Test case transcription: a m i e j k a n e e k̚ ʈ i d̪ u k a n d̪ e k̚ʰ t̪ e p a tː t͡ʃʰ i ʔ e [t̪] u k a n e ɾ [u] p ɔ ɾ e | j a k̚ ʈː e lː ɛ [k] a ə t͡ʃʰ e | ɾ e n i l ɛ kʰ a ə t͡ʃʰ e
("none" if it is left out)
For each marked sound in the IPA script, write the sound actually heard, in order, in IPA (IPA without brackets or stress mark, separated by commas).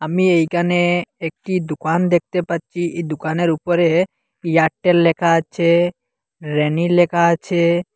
d̪, u, kʰ